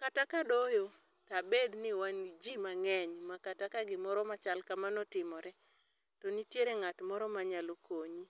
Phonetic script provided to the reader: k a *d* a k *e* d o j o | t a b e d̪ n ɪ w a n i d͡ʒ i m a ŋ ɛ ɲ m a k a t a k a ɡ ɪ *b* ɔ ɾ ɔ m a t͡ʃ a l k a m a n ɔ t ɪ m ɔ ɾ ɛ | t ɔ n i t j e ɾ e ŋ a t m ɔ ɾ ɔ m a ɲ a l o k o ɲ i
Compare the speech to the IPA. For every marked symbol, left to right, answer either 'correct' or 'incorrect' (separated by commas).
incorrect, incorrect, incorrect